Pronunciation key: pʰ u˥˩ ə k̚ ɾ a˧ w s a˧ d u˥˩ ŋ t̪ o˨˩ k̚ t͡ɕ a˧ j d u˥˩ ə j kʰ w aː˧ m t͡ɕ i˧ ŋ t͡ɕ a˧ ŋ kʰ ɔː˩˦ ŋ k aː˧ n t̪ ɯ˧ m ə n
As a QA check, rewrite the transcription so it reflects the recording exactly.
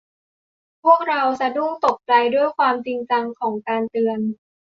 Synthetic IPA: pʰ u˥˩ ə k̚ ɾ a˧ w s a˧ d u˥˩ ŋ t̪ o˨˩ k̚ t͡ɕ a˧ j d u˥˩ ə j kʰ w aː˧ m t͡ɕ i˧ ŋ t͡ɕ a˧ ŋ kʰ ɔː˩˦ ŋ k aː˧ n t̪ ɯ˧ ə n